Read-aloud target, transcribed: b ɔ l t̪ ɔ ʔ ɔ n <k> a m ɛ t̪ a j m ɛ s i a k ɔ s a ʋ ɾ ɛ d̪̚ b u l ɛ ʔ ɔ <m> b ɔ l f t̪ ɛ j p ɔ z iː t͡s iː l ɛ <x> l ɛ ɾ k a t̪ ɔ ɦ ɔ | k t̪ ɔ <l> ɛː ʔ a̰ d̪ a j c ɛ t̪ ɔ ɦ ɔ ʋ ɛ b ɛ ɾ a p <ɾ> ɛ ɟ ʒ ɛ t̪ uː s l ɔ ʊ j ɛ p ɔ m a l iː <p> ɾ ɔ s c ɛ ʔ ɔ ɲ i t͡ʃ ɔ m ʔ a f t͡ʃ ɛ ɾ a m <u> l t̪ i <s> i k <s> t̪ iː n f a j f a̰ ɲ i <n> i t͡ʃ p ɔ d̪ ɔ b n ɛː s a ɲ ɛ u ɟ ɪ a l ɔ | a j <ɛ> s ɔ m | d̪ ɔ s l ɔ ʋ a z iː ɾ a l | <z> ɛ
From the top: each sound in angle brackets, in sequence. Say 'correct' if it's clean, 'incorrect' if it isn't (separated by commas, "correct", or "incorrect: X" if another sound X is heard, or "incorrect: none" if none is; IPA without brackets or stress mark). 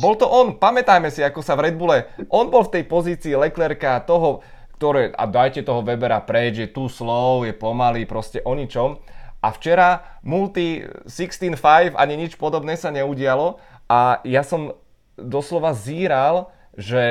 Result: incorrect: p, incorrect: n, incorrect: k, incorrect: ɾ, correct, correct, correct, correct, correct, incorrect: ɲ, incorrect: a, incorrect: ʒ